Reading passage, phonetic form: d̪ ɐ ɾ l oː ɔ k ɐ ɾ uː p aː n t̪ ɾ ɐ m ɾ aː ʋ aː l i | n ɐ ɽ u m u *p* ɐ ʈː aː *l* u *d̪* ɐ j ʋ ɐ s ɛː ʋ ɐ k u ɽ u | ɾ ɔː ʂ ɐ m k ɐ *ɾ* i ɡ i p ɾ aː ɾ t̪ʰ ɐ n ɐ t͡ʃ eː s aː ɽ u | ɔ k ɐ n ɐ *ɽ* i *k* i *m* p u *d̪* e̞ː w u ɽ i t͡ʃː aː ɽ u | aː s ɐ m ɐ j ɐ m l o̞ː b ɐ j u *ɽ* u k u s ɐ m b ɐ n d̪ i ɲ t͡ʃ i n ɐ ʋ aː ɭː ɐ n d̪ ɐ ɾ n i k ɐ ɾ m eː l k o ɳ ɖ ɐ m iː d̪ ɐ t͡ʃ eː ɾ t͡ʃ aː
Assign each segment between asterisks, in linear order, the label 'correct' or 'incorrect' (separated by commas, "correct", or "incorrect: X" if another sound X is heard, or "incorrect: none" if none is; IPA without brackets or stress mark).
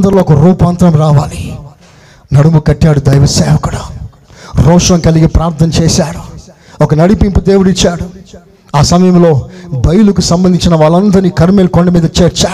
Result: incorrect: k, incorrect: ɽ, correct, incorrect: l, correct, incorrect: p, correct, correct, incorrect: l